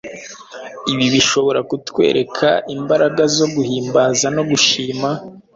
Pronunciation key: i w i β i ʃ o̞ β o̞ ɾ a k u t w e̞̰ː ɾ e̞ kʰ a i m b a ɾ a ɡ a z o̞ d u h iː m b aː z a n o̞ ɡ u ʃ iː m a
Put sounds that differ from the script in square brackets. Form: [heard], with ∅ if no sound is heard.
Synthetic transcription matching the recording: i [β] i β i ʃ o̞ β o̞ ɾ a k u t w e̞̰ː ɾ e̞ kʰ a i m b a ɾ a ɡ a z o̞ [ɡ] u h iː m b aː z a n o̞ ɡ u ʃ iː m a